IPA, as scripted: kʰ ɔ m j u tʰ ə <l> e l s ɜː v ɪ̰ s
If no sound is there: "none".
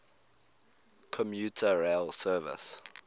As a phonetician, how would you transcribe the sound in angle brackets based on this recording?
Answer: ɹ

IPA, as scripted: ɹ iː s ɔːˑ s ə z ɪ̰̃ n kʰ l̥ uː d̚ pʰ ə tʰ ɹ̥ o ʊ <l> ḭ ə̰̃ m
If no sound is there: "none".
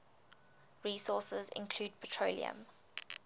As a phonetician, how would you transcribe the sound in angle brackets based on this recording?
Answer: l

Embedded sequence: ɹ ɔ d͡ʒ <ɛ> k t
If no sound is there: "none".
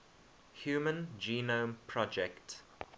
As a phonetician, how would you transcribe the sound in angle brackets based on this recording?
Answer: ɛ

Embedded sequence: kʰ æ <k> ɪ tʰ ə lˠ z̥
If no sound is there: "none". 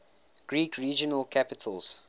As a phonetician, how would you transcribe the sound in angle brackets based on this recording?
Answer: p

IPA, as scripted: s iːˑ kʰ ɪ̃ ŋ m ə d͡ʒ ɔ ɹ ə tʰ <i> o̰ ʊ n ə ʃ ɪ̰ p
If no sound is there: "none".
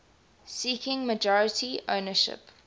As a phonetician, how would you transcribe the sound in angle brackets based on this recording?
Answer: i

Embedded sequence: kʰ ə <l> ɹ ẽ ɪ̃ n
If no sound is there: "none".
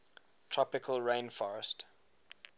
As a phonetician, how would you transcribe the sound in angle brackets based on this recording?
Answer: l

